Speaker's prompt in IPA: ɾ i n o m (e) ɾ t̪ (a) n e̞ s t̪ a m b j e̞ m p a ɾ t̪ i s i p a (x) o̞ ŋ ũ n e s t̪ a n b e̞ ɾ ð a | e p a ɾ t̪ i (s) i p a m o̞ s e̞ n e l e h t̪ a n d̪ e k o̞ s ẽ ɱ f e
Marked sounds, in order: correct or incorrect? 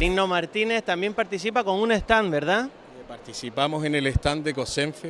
incorrect, incorrect, incorrect, correct

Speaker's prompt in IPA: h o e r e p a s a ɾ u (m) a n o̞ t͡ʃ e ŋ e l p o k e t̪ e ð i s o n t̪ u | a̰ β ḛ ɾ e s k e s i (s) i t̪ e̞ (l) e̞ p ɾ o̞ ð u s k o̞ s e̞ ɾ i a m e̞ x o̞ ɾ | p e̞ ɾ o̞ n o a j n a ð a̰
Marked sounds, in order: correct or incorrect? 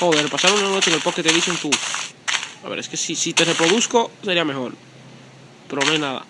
incorrect, correct, incorrect

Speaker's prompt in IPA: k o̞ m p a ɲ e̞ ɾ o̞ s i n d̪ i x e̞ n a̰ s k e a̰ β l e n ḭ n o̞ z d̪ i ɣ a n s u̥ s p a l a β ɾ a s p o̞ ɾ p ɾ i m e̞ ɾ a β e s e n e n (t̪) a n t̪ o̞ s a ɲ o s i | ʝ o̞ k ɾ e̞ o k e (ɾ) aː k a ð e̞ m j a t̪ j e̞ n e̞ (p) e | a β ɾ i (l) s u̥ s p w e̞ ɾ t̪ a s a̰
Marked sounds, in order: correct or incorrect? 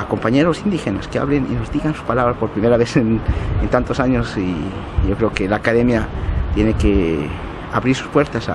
correct, incorrect, incorrect, incorrect

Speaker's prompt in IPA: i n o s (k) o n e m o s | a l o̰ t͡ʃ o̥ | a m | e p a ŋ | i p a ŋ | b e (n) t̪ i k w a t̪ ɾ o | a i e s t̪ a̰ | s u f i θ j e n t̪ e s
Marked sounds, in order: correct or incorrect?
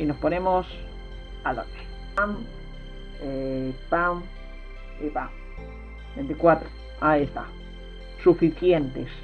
incorrect, correct

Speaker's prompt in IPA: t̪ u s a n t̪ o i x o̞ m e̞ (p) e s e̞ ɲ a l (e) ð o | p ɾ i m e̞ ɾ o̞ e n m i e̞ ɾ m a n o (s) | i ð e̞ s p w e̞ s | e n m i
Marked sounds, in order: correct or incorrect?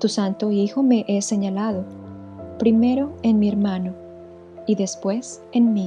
incorrect, incorrect, incorrect

